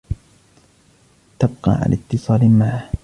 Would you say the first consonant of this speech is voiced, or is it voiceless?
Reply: voiceless